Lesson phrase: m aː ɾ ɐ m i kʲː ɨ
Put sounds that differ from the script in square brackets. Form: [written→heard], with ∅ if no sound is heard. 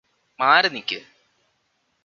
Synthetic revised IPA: m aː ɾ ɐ [m→n] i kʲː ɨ